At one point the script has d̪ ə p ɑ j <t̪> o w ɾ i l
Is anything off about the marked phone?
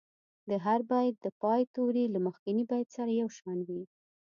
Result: no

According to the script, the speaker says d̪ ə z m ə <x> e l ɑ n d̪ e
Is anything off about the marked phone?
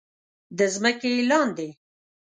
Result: yes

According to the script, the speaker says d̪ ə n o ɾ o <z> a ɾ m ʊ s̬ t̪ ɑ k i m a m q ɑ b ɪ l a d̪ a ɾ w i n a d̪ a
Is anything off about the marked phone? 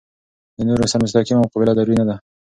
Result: yes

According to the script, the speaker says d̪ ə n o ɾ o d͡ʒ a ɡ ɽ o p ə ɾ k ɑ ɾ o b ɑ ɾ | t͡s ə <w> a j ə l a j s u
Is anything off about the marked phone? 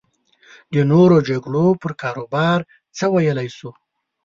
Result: no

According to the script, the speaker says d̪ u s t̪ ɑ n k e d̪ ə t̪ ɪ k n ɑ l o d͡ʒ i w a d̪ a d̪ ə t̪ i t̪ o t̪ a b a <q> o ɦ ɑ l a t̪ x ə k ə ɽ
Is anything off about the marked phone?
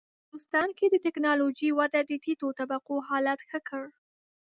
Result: no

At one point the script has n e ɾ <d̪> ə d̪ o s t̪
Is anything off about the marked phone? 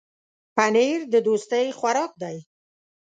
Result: no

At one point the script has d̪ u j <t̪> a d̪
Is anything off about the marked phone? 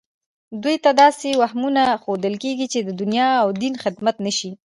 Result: no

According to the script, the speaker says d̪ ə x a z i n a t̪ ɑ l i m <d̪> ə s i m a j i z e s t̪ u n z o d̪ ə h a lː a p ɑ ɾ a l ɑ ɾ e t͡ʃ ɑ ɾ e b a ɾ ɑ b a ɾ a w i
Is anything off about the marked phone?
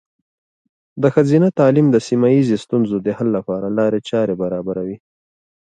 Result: no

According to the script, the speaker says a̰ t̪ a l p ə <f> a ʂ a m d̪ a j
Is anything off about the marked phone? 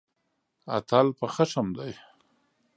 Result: yes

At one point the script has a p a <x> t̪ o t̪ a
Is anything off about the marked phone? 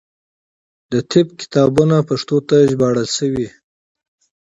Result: yes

